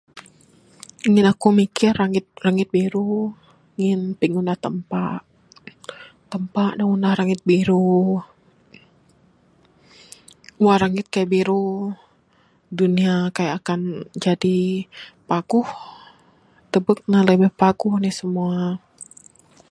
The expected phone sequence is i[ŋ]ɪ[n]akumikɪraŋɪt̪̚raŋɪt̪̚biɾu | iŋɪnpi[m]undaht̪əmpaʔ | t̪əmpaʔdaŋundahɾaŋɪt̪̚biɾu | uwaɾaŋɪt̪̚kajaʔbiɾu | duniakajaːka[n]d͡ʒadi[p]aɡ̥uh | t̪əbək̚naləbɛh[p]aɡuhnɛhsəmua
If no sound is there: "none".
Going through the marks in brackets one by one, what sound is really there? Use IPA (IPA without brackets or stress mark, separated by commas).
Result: ŋ, n, ŋ, n, p, p